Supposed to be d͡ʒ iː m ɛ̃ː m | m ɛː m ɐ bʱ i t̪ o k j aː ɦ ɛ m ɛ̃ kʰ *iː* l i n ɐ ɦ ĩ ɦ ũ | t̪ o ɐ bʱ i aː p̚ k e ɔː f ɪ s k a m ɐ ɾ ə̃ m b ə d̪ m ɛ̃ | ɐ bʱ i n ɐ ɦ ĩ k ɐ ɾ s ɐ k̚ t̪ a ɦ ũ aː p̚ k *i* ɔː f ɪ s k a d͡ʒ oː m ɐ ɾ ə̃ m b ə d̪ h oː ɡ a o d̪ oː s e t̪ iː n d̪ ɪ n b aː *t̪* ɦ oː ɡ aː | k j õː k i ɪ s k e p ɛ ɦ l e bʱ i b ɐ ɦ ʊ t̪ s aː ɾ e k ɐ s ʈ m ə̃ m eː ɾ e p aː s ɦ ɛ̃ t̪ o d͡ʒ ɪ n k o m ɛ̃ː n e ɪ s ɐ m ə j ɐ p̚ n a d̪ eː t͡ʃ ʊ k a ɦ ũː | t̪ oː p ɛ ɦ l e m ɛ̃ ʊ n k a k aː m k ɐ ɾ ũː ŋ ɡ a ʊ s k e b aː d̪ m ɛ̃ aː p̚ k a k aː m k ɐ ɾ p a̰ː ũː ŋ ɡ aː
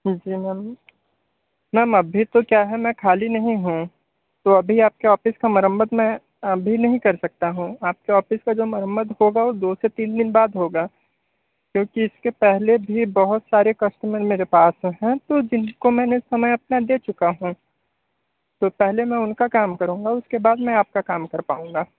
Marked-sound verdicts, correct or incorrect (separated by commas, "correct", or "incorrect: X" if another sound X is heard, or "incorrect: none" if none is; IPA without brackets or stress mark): incorrect: aː, incorrect: e, incorrect: d̪